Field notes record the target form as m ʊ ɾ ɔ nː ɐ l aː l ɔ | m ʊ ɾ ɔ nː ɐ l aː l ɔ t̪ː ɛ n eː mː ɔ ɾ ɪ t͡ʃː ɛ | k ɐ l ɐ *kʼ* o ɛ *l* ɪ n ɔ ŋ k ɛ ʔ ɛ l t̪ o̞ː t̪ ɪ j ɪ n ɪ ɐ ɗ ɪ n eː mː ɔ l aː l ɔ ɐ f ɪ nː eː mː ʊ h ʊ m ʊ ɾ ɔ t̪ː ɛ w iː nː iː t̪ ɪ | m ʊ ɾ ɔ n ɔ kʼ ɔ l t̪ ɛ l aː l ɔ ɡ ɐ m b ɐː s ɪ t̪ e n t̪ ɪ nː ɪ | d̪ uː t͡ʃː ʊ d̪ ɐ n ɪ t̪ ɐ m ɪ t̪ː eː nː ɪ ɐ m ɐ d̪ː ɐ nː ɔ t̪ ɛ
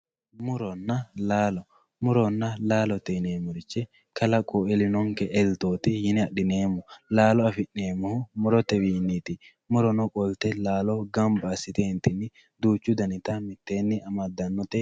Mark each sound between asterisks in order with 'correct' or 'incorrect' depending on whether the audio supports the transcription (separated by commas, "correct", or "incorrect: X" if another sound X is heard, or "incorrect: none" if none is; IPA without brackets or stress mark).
correct, correct